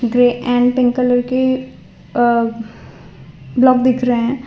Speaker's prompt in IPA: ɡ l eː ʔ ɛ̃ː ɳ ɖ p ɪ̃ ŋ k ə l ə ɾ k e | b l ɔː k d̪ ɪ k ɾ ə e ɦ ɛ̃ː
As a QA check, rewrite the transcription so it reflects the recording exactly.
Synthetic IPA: ɡ ɾ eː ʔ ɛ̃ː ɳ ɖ p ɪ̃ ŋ k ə l ə ɾ k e | b l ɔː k d̪ ɪ kʰ ɾ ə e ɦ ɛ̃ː